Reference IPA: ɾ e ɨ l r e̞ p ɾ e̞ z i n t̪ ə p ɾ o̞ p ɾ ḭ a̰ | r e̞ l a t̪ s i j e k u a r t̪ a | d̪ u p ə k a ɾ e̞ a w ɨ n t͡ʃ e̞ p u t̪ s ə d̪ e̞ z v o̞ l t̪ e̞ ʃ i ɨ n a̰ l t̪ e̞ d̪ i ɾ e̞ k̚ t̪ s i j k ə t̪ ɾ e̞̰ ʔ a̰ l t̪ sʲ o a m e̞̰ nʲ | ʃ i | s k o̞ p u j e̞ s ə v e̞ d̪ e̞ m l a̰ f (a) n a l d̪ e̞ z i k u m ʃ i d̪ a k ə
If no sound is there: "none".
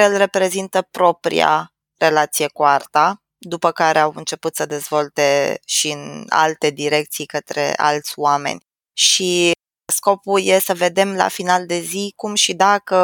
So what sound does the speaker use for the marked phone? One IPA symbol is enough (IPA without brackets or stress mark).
i